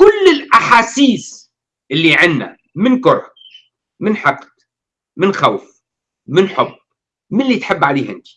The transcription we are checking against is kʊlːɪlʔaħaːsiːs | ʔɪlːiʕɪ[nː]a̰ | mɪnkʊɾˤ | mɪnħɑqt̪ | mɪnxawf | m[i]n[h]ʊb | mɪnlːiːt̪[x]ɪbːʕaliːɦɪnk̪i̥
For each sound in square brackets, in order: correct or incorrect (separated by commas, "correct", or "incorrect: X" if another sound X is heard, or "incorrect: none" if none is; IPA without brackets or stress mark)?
correct, incorrect: ɪ, incorrect: ħ, incorrect: ħ